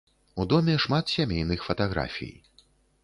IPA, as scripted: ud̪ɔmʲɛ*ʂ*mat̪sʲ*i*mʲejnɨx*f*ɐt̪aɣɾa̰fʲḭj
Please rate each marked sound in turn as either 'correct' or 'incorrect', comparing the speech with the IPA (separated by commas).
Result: correct, incorrect, correct